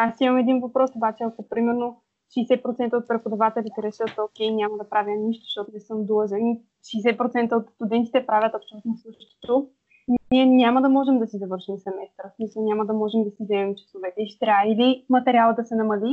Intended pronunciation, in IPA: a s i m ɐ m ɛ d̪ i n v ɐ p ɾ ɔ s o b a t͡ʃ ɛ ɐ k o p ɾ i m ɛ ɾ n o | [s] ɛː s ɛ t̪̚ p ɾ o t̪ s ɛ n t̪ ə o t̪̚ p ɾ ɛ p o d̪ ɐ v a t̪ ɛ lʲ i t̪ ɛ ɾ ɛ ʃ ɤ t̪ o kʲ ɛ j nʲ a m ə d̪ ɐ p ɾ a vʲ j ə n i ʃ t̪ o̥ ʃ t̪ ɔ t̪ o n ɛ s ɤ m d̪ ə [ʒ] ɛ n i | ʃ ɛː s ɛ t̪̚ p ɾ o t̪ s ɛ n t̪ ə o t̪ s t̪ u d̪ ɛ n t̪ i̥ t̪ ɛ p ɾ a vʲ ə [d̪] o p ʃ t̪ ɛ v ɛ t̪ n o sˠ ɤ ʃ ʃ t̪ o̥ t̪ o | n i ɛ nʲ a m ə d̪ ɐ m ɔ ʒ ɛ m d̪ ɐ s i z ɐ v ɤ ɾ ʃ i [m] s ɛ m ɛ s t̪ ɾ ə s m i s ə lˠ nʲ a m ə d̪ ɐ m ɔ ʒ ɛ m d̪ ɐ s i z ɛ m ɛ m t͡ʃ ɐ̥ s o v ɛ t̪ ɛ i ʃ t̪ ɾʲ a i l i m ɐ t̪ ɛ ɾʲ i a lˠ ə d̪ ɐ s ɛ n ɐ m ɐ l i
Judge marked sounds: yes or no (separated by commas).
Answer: no, yes, no, yes